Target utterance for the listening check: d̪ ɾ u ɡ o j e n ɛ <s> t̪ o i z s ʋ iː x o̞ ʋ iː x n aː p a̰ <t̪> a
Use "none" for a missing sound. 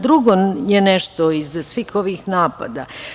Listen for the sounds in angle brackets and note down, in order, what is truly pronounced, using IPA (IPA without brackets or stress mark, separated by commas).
ʃ, d̪